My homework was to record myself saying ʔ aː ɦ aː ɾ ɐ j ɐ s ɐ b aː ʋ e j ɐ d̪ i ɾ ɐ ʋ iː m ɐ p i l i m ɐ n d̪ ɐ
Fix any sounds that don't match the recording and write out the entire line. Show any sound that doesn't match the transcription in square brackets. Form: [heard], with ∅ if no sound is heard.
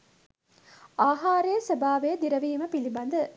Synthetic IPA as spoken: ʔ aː ɦ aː ɾ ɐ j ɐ s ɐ b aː ʋ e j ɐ d̪ i ɾ ɐ ʋ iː m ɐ p i l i [b] ɐ n d̪ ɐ

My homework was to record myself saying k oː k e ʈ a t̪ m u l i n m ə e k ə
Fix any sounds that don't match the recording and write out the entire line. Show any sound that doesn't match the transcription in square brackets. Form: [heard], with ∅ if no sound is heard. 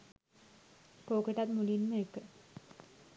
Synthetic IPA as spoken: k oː k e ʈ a t̪ m u l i n m ə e k ə

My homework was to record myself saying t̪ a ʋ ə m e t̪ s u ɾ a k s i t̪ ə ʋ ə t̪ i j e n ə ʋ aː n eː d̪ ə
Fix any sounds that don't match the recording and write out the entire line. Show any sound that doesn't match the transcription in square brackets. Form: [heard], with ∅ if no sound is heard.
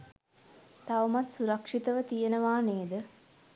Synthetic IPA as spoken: t̪ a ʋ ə m [a] t̪ s u ɾ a k [ʂ] i t̪ ə ʋ ə t̪ i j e n ə ʋ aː n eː d̪ ə

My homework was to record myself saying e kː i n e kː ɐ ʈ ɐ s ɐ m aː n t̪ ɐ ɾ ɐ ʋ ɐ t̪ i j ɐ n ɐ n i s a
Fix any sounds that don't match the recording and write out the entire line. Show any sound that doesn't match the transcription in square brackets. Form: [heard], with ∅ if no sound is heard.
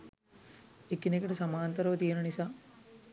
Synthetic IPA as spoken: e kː i n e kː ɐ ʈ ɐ s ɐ m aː n t̪ ɐ ɾ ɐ ʋ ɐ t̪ i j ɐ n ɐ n i s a

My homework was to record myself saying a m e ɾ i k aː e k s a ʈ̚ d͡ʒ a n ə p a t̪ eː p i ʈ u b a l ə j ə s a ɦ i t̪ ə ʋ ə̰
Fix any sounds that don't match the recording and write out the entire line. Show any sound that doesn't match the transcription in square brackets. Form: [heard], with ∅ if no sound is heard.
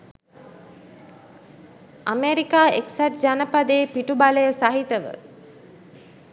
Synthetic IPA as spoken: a m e ɾ i k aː e k s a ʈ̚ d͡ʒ a n ə p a [d̪] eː p i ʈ u b a l ə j ə s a ɦ i t̪ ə ʋ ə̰

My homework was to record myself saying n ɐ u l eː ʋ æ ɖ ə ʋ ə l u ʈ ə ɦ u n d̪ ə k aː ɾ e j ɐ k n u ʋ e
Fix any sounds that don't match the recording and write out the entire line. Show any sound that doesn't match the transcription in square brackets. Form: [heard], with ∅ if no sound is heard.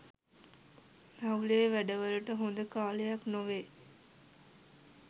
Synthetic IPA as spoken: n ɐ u l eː ʋ æ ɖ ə ʋ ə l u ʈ ə ɦ [o] n d̪ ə k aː [l] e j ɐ k n [o] ʋ e

